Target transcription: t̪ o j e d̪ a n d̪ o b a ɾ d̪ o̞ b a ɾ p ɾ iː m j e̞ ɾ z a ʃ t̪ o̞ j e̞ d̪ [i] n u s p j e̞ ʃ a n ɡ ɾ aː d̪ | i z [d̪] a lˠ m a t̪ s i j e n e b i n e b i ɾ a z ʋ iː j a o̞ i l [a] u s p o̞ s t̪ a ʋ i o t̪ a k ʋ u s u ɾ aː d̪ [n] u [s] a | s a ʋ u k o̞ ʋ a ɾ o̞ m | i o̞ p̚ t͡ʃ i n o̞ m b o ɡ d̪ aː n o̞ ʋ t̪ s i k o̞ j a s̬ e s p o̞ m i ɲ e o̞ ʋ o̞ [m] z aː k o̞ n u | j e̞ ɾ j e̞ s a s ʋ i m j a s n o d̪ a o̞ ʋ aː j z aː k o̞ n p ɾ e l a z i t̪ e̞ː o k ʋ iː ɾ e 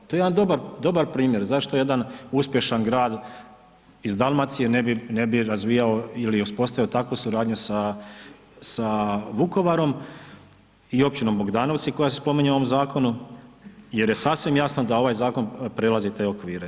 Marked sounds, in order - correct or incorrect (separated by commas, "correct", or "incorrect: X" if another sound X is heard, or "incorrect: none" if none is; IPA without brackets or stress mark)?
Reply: incorrect: a, correct, incorrect: i, incorrect: ɲ, correct, correct